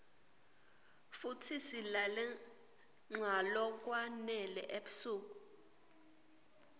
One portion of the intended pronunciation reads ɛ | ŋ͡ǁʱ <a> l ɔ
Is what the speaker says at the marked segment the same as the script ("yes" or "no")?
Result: yes